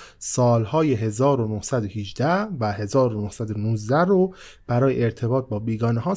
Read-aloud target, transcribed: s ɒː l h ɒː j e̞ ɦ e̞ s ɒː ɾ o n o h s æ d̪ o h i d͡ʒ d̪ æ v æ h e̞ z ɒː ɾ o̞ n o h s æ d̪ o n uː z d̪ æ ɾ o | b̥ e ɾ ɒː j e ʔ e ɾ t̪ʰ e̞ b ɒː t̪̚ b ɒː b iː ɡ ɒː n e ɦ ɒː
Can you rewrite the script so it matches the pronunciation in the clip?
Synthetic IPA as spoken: s ɒː l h ɒː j e̞ ɦ e̞ z ɒː ɾ o n o h s æ d̪ o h i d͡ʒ d̪ æ v æ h e̞ z ɒː ɾ o̞ n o h s æ d̪ o n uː z d̪ æ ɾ o | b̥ æ ɾ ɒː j e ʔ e ɾ t̪ʰ e̞ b ɒː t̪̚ b ɒː b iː ɡ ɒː n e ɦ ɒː